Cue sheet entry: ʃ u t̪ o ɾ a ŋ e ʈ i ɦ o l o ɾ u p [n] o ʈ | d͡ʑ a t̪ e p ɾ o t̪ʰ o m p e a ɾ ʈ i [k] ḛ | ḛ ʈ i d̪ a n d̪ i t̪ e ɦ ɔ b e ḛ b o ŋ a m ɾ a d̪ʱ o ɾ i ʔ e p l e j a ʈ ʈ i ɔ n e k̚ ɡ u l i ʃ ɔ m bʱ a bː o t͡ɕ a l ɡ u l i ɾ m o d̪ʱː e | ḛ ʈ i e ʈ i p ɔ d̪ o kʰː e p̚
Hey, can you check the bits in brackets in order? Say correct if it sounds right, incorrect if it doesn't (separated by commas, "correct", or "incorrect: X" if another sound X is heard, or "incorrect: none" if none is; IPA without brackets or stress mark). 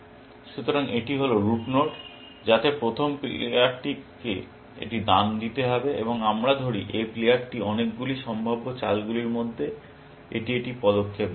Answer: correct, correct